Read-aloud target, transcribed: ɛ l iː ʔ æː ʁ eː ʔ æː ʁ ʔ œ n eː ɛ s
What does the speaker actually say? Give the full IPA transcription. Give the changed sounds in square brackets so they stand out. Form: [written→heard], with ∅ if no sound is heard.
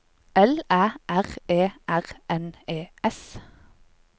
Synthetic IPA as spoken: ɛ l [iː→æː] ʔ [æː→æ] ʁ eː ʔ [æː→æ] ʁ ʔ [œ→ɛ] n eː ɛ s